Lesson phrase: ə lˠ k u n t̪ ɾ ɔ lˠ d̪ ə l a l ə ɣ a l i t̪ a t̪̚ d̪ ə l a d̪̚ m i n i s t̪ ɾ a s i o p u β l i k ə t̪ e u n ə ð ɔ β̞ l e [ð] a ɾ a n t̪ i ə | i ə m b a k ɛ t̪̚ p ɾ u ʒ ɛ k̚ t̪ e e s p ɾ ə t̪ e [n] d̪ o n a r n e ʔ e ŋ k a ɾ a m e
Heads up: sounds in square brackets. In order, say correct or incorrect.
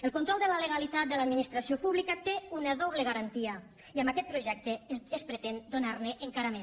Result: incorrect: ɣ, correct

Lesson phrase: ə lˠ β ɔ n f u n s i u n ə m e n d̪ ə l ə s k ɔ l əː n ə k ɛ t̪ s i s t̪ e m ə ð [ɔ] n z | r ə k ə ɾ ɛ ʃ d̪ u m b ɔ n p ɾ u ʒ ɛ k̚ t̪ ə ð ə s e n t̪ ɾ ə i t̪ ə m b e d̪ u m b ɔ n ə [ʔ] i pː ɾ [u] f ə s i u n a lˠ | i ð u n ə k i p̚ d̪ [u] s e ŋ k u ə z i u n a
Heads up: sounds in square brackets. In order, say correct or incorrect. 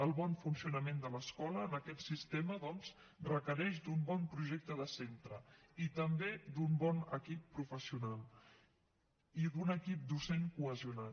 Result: correct, incorrect: k, correct, correct

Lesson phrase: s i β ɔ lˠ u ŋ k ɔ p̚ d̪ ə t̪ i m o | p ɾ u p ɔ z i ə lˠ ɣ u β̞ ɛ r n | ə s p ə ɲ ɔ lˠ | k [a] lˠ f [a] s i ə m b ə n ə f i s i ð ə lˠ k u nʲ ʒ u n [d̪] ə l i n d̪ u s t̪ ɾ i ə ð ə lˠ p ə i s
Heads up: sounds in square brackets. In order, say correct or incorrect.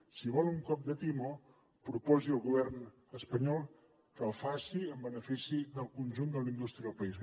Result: incorrect: ə, correct, correct

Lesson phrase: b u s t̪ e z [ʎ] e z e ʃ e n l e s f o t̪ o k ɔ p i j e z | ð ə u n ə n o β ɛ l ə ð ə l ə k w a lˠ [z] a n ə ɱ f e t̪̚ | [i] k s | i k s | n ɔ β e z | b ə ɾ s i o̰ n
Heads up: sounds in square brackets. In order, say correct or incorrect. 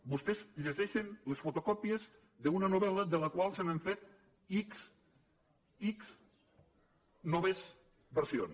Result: correct, incorrect: s, correct

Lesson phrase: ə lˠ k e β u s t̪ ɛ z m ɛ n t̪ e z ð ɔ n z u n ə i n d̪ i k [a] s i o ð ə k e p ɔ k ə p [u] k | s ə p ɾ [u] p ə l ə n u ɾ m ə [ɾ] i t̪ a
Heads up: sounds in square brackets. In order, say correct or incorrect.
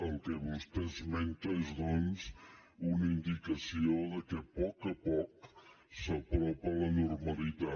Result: incorrect: ə, incorrect: ɔ, incorrect: ɔ, incorrect: l

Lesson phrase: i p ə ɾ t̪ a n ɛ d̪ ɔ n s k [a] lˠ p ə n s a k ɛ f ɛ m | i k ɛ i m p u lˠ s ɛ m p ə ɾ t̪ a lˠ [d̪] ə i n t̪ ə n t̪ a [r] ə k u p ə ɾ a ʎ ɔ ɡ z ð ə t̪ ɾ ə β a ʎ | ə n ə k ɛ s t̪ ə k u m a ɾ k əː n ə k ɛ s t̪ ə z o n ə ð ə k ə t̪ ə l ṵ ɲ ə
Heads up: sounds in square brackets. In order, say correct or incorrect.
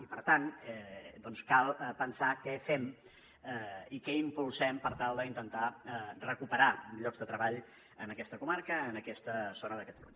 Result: correct, correct, correct

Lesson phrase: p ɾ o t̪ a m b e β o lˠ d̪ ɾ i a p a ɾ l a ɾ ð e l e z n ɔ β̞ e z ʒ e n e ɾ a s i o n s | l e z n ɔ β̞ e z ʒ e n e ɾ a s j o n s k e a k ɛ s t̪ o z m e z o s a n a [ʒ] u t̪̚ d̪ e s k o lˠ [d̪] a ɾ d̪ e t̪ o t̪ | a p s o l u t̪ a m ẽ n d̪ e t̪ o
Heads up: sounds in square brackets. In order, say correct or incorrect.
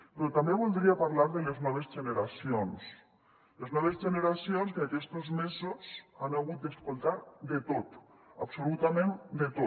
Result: incorrect: ɣ, incorrect: t̪

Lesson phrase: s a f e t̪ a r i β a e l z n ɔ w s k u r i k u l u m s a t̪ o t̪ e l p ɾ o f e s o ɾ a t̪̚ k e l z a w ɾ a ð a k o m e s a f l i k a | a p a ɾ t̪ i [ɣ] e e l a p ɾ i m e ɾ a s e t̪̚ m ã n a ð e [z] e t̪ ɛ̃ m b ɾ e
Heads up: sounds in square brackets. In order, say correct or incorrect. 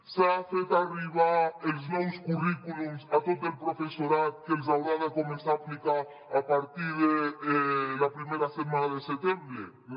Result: incorrect: ð, incorrect: s

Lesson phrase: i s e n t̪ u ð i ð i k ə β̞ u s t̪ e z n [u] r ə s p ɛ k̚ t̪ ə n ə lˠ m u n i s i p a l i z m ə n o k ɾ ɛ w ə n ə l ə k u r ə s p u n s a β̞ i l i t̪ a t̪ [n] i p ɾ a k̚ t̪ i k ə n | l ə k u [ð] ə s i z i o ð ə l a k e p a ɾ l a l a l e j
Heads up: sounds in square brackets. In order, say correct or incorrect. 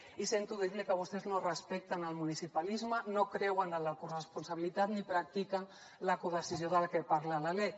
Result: incorrect: o, correct, correct

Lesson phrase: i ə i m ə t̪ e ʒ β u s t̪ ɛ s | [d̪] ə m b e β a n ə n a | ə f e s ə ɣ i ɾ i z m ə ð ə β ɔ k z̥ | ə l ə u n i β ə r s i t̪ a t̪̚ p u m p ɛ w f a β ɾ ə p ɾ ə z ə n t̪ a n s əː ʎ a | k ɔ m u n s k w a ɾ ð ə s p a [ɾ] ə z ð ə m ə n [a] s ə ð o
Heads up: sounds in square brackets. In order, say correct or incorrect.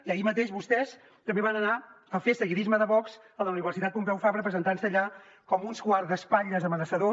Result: incorrect: t̪, incorrect: ʎ, incorrect: ə

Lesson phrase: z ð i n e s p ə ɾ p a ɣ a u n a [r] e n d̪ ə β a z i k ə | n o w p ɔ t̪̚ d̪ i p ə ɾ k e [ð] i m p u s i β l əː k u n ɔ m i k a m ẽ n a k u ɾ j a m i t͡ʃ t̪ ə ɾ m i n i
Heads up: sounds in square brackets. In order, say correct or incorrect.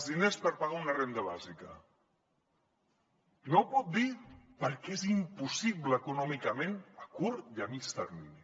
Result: correct, incorrect: z

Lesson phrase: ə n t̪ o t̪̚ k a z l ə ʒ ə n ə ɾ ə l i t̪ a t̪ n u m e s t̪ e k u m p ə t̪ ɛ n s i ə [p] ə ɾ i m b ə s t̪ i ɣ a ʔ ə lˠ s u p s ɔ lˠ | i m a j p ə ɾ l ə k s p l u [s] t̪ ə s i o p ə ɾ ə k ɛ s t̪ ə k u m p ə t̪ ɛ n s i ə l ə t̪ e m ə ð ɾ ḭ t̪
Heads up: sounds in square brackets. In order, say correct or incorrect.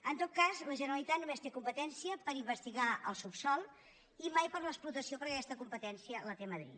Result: correct, incorrect: none

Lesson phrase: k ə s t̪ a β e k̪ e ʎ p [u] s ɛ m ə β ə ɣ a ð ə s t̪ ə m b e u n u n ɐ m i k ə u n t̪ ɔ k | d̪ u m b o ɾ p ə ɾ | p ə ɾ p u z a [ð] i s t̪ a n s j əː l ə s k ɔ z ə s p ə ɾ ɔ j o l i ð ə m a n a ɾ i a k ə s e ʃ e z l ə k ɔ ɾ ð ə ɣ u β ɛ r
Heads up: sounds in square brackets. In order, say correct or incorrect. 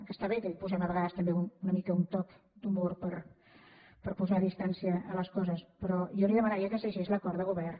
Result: correct, correct

